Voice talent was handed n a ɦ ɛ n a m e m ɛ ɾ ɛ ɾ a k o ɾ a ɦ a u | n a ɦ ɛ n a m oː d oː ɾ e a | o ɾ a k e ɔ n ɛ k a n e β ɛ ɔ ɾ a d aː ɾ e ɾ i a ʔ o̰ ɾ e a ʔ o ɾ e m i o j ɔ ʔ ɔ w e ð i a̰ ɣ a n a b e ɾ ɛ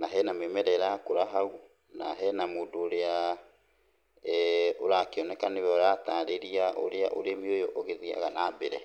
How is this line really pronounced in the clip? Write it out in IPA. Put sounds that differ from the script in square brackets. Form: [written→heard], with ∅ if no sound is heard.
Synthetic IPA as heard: n a ɦ ɛ n a m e m ɛ ɾ ɛ ɾ a k o ɾ a ɦ a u | n a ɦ ɛ n a m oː d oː ɾ e a | o ɾ a k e ɔ n ɛ k a n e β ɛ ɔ ɾ a [d→t] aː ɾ e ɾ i a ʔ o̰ ɾ e a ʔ o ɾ e m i o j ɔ ʔ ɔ [w→ɣ] e ð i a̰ ɣ a n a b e ɾ ɛ